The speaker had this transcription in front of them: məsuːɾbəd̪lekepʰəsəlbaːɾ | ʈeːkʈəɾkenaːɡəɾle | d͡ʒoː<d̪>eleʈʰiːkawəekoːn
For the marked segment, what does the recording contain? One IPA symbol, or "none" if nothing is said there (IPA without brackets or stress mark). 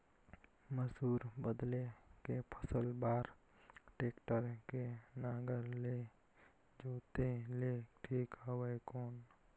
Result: t̪